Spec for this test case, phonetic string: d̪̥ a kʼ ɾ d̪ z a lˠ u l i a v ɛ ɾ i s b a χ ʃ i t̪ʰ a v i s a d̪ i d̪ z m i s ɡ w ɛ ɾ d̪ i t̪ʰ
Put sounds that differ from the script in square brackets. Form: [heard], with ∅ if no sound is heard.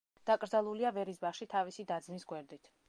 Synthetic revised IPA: d̪̥ a kʼ ɾ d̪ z a lˠ u l i a v ɛ ɾ i s b a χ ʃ i t̪ʰ a v i s [i] d̪ [a] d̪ z m i s ɡ w ɛ ɾ d̪ i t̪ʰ